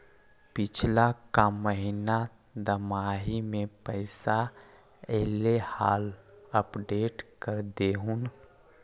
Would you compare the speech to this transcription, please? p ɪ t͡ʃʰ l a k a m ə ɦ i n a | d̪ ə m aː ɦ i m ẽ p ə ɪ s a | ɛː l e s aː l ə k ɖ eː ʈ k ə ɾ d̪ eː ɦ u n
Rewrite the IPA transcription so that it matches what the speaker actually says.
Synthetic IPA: p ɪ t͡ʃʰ l a k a m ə ɦ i n a | d̪ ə m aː ɦ i m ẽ p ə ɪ s a | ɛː l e h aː l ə p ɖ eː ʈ k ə ɾ d̪ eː ɦ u n